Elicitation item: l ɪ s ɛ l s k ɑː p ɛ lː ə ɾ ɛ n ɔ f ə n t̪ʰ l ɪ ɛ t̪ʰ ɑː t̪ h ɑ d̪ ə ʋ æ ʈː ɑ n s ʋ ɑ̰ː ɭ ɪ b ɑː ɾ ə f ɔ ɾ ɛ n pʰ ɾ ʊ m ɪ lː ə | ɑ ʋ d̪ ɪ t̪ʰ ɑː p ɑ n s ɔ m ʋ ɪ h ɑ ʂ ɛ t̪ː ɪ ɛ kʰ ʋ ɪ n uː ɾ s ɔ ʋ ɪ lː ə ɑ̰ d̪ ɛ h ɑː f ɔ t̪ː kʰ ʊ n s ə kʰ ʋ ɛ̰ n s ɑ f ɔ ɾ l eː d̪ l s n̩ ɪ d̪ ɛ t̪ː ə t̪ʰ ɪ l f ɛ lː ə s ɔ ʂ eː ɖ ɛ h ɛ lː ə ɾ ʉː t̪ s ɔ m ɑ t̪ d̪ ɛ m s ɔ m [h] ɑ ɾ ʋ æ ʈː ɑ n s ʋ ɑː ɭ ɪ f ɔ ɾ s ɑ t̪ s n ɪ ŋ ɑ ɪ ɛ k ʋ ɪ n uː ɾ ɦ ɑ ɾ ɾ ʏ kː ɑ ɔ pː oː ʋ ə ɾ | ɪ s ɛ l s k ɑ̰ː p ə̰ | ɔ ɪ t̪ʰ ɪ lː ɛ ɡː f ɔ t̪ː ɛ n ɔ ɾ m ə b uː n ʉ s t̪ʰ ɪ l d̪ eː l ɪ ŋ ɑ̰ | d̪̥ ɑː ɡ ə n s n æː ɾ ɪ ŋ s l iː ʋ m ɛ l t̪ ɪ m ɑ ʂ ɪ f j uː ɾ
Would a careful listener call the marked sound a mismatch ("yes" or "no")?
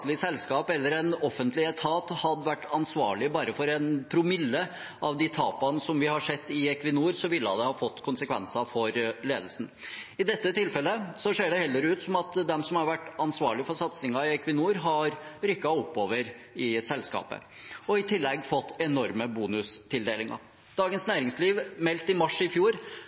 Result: no